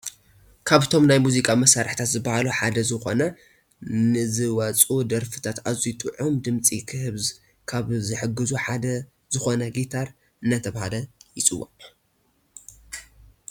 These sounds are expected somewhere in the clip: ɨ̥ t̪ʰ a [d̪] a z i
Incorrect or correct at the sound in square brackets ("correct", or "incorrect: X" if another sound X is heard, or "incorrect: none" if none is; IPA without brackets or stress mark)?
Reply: incorrect: t̪